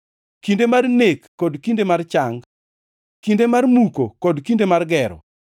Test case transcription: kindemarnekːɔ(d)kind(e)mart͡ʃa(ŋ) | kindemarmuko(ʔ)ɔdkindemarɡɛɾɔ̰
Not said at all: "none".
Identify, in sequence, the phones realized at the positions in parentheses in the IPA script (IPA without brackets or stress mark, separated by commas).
d, e, ŋ, k